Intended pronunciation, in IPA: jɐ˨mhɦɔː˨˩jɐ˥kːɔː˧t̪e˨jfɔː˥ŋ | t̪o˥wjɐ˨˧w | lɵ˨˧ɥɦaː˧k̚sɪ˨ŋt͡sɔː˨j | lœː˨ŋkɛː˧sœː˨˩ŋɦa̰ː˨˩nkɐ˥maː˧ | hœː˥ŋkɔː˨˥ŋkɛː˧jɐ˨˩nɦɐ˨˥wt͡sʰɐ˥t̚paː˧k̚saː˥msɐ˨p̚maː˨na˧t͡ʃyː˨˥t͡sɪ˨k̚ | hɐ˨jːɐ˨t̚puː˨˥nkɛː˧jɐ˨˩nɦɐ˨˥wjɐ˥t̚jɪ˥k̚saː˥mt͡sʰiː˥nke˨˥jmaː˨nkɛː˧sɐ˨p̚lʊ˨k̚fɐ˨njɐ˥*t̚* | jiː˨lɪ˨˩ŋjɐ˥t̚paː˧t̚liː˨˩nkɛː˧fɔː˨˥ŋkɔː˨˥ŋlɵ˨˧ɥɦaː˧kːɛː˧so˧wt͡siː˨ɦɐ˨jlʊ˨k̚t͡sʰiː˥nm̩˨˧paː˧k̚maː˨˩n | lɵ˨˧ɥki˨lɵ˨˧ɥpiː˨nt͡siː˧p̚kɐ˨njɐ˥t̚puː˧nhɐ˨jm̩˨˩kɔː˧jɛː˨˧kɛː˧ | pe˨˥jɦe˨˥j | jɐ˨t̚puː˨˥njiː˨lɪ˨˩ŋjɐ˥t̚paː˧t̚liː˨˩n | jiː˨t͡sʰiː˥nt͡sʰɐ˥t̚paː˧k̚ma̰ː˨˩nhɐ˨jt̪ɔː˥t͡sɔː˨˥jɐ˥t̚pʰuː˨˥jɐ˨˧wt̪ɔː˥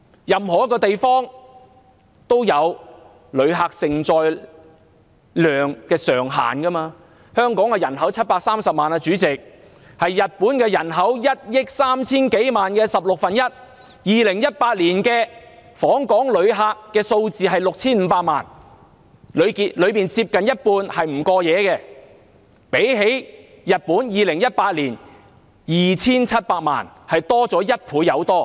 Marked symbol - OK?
yes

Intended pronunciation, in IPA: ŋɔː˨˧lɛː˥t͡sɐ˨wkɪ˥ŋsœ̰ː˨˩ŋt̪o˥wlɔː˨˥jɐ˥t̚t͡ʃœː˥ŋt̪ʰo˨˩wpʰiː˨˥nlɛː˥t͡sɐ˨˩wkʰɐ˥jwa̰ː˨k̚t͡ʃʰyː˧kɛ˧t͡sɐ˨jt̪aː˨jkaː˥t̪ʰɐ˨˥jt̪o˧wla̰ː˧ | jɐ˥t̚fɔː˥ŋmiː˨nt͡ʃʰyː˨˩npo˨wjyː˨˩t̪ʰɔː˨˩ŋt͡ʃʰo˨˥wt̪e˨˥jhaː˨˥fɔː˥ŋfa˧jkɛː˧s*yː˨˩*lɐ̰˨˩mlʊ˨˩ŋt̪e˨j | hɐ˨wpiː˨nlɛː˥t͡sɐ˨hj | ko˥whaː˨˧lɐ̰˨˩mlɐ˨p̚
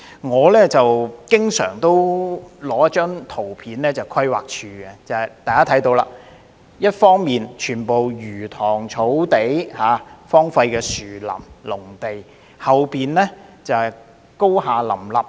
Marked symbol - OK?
yes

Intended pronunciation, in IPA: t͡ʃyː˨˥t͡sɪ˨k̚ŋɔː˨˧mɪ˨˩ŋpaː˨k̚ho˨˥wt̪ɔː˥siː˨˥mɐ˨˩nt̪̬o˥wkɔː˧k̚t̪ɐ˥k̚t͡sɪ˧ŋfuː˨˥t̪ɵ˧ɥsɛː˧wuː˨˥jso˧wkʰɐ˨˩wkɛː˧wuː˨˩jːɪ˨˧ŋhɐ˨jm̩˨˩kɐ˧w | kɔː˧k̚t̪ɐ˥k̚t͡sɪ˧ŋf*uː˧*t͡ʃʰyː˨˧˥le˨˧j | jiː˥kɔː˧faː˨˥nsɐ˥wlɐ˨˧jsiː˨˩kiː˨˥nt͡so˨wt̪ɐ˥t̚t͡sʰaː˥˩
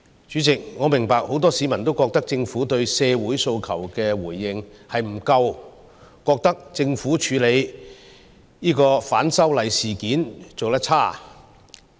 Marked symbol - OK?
no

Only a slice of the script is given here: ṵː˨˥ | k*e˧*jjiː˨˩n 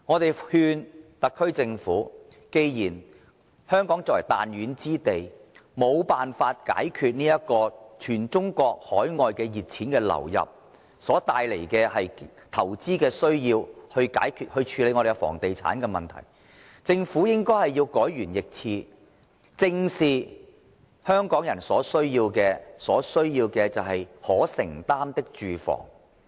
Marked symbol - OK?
yes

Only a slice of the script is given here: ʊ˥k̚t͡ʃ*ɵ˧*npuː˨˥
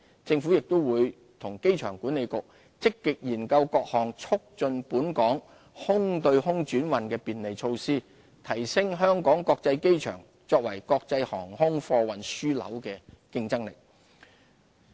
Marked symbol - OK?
yes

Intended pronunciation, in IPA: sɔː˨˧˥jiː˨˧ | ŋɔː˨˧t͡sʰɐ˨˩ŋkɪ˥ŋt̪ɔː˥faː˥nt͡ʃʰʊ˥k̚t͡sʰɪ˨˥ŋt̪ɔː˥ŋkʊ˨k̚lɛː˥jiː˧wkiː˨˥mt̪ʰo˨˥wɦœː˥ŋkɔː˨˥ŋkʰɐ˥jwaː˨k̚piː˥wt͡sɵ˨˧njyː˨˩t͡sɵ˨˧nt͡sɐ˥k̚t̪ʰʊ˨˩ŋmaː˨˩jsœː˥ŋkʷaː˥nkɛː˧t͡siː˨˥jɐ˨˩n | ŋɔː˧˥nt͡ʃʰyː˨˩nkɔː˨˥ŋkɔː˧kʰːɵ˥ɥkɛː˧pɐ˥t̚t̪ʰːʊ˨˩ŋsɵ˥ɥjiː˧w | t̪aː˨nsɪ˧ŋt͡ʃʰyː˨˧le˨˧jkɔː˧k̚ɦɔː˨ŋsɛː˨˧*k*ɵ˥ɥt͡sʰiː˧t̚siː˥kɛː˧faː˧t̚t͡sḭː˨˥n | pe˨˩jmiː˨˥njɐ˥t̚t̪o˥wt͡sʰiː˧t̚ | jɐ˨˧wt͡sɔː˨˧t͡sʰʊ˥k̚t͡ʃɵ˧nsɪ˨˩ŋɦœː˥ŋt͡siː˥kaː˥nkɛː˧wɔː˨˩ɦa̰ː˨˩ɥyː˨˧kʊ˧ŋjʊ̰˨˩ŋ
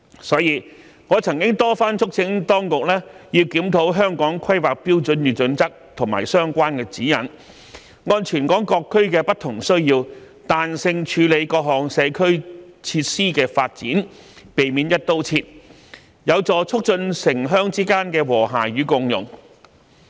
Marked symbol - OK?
no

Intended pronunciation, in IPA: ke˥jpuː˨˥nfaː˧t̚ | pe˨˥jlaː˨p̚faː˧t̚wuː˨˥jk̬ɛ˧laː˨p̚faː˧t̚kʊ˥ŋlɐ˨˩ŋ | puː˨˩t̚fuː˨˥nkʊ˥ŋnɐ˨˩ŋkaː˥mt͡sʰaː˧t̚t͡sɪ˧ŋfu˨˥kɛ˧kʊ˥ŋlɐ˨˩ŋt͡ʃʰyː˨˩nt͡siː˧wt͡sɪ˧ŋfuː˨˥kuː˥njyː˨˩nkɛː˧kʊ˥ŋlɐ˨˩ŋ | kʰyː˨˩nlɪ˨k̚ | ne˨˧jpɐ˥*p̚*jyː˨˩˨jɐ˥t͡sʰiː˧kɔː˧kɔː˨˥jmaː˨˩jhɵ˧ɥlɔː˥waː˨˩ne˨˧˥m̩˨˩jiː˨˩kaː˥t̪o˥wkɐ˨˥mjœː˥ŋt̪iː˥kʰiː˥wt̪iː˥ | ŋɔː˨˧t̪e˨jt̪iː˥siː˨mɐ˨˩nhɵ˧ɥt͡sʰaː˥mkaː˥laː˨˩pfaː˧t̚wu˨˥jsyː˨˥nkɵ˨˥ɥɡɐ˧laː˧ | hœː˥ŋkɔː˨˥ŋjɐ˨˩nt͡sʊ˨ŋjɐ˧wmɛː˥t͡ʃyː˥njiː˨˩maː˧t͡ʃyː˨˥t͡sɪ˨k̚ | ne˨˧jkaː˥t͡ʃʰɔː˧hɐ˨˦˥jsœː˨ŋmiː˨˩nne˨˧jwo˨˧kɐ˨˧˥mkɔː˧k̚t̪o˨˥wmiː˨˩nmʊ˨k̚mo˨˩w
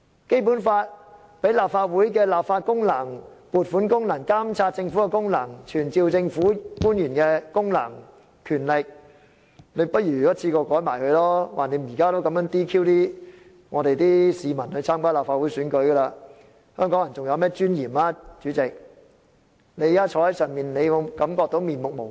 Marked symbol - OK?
no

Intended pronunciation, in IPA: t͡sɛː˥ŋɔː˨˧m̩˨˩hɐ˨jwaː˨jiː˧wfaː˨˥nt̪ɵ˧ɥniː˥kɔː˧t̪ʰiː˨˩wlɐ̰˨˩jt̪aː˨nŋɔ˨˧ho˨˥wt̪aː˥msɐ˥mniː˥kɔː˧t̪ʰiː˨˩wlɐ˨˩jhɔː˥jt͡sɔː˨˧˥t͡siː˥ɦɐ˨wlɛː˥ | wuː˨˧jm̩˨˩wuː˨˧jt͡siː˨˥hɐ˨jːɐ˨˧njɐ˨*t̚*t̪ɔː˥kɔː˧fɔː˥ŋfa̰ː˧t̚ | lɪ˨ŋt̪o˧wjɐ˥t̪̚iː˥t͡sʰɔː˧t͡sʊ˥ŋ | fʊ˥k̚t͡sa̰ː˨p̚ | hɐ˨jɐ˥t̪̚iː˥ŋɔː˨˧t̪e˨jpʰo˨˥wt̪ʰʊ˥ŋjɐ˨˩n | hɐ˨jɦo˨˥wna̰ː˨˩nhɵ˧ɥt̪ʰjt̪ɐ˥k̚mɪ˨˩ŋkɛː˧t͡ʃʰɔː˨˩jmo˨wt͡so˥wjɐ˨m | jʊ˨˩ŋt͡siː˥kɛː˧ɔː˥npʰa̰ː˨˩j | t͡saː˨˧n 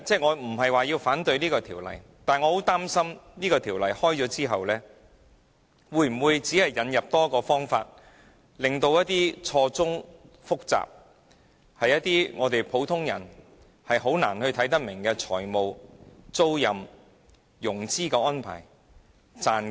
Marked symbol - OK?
no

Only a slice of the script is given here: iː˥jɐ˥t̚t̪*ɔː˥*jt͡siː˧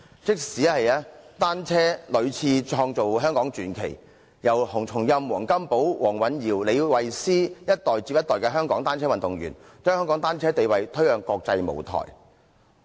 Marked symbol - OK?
no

